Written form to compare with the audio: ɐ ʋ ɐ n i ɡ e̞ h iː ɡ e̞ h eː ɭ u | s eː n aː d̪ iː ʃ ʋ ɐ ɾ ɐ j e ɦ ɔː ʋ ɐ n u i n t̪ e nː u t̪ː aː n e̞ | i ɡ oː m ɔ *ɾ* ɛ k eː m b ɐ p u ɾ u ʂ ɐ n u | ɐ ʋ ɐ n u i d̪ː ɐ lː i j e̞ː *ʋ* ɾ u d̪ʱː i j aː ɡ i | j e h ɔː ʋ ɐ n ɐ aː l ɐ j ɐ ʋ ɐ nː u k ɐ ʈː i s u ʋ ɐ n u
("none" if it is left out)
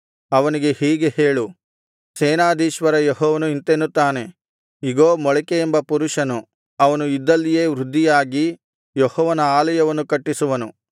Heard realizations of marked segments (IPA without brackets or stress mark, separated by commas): ɭ, ʋ